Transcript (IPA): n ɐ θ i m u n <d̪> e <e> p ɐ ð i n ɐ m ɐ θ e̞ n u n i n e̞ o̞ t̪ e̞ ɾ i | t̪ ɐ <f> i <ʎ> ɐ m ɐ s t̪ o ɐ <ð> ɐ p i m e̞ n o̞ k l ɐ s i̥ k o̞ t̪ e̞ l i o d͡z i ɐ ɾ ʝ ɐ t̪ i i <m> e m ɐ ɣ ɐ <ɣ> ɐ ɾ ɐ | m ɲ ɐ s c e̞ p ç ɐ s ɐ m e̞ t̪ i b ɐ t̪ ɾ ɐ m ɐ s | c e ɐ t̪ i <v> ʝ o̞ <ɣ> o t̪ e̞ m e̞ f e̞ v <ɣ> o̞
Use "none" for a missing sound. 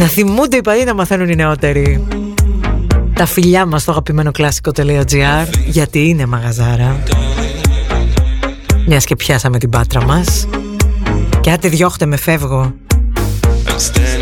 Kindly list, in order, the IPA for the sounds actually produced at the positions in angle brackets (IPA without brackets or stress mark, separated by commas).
d̪, i, f, ʎ, ɣ, n, z, ð, x, ɣ